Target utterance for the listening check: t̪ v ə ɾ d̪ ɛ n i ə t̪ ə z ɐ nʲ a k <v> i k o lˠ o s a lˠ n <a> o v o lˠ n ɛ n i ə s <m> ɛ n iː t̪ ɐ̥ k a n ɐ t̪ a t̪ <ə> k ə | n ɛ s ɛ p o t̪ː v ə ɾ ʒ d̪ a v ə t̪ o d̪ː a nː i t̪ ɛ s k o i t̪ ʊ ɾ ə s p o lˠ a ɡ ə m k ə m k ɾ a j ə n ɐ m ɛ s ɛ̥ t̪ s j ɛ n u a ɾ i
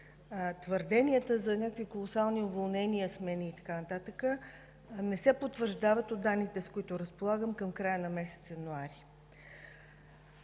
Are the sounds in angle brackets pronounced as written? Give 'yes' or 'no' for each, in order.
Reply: yes, no, yes, yes

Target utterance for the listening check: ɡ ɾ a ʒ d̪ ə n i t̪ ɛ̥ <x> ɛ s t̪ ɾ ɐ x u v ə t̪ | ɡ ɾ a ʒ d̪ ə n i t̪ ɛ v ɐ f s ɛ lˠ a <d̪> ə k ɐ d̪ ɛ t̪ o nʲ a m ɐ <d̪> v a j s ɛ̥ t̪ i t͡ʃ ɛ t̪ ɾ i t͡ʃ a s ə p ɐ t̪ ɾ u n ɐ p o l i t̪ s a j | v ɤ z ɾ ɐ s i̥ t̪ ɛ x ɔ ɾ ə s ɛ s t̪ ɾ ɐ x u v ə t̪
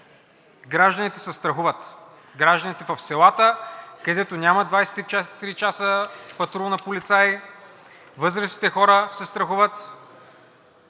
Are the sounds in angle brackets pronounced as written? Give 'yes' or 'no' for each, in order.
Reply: no, no, yes

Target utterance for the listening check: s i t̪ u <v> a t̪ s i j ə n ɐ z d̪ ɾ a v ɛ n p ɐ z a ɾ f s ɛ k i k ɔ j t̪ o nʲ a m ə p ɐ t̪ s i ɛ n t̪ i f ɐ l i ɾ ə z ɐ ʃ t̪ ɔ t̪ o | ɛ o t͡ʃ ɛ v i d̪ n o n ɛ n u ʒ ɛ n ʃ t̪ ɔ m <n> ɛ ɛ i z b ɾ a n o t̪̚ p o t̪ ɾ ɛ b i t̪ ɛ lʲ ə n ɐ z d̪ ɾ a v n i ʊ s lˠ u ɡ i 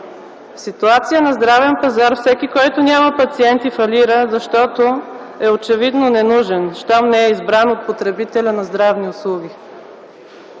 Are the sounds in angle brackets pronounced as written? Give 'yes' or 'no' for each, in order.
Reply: no, yes

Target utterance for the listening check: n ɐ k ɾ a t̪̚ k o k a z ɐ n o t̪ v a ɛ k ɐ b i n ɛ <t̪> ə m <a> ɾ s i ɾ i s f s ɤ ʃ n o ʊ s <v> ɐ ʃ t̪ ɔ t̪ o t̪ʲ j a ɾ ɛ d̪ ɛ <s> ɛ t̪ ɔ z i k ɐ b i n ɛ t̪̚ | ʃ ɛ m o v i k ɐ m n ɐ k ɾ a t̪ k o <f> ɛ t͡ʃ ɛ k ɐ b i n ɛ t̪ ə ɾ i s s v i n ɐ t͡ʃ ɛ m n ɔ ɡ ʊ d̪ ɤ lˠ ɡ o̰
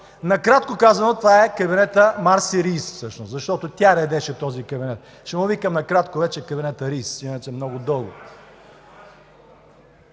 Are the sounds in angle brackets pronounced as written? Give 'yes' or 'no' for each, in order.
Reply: yes, yes, no, no, no

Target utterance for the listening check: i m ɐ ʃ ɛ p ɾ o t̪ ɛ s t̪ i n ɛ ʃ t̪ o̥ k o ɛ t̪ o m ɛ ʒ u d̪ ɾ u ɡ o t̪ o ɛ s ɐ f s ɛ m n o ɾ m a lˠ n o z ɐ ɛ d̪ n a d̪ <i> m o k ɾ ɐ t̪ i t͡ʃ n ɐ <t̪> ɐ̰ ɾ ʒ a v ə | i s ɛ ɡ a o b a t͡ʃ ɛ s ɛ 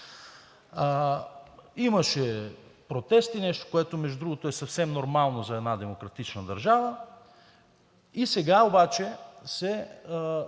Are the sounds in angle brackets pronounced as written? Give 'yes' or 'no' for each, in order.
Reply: no, no

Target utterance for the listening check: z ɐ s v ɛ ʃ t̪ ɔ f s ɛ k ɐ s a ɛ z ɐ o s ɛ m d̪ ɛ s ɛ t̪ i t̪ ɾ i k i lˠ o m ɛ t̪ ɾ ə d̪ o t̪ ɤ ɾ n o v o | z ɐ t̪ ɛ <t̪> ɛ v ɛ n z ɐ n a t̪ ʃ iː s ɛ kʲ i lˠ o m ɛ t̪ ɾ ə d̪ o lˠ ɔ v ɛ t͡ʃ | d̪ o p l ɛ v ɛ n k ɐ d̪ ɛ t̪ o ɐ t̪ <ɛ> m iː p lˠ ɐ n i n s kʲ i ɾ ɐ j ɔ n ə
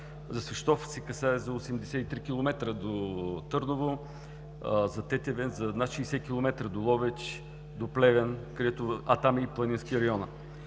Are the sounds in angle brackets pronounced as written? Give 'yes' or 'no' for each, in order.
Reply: yes, no

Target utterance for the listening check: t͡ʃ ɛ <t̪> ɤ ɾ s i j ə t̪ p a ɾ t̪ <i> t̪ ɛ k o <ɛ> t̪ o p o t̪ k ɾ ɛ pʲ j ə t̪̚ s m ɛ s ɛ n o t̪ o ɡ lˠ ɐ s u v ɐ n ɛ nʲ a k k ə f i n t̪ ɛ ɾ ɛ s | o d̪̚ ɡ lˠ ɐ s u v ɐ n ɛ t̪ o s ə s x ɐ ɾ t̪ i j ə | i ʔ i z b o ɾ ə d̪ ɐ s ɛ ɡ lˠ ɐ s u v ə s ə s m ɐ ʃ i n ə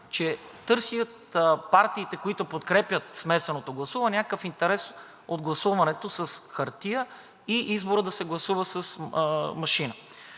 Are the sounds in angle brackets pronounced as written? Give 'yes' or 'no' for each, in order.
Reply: yes, no, no

